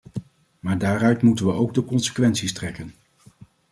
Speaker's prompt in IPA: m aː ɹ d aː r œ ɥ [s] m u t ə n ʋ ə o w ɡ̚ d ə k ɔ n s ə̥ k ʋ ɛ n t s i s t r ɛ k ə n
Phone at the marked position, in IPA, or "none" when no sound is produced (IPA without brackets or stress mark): t